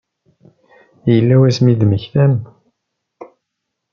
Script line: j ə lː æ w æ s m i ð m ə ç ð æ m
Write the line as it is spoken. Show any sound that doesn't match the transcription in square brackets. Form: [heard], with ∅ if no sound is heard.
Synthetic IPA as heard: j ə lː æ w æ s m i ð m ə ç [θ] æ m